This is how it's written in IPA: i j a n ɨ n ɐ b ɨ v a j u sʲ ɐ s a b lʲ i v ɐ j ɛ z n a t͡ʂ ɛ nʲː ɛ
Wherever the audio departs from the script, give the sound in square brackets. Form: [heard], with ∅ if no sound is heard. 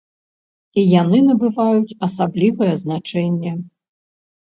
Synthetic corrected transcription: i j a n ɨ n ɐ b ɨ v a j u [t͡sʲ] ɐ s a b lʲ i v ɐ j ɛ z n a t͡ʂ ɛ nʲː ɛ